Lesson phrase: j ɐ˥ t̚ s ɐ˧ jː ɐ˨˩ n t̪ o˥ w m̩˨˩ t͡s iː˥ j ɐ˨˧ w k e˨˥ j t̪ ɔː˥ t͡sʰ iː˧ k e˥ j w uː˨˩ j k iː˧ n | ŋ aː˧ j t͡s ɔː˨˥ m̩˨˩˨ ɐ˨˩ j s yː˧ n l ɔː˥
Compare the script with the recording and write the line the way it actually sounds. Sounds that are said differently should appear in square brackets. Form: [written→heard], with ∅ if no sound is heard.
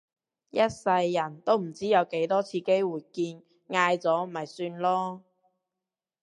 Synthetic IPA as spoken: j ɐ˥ t̚ s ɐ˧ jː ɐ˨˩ n t̪ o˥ w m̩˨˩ t͡s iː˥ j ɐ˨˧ w k e˨˥ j t̪ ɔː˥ t͡sʰ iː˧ k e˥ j w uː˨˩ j k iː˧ n | ŋ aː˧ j t͡s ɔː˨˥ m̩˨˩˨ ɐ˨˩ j s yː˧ n l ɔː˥